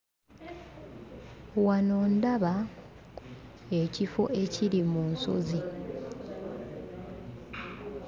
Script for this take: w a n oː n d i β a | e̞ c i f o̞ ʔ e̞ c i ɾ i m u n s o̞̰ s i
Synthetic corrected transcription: w a n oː n d a β a | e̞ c i f o̞ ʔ e̞ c i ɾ i m u n s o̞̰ z i